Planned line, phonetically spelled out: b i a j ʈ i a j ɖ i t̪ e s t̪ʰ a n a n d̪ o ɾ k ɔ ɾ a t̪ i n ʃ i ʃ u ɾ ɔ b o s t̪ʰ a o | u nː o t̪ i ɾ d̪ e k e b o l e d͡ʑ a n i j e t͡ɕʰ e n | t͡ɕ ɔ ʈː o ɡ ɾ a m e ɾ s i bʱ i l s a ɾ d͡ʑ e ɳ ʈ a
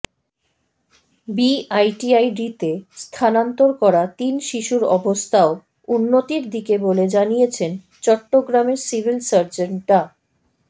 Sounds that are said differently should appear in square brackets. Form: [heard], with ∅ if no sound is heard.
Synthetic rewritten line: b i a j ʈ i a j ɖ i t̪ e s t̪ʰ a n a n [t̪] o ɾ k ɔ ɾ a t̪ i n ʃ i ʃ u ɾ ɔ b o s t̪ʰ a o | u nː o t̪ i ɾ d̪ [i] k e b o l e d͡ʑ a n i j e t͡ɕʰ e n | t͡ɕ ɔ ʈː o ɡ ɾ a m e ɾ s i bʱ i l s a ɾ d͡ʑ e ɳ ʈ a